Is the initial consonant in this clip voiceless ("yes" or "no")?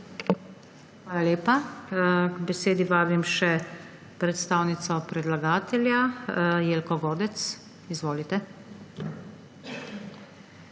yes